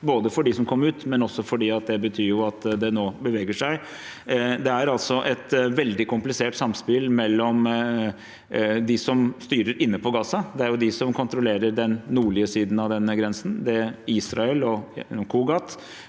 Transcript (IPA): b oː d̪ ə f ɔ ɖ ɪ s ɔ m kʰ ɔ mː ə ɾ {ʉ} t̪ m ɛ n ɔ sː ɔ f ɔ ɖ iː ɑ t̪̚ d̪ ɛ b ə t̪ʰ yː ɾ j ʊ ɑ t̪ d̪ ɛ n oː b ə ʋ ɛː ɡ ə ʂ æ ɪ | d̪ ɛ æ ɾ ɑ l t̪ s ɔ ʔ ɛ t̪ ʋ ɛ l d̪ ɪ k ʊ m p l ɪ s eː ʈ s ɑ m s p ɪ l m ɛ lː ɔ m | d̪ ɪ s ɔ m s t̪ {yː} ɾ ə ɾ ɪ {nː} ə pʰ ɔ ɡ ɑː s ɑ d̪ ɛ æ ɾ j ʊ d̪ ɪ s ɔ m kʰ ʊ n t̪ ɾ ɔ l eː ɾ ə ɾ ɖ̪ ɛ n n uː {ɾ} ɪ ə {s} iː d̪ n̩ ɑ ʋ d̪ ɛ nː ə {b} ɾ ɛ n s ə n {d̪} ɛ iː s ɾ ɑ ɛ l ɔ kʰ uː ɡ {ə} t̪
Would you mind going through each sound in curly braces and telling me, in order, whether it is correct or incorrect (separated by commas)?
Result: incorrect, correct, correct, incorrect, correct, incorrect, correct, incorrect